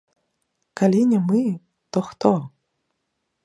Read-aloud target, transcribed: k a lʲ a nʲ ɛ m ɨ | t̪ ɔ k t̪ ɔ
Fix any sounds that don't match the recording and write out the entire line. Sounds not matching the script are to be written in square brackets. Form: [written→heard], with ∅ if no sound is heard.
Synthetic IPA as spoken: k a lʲ [a→i] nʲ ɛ m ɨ | t̪ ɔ [k→x] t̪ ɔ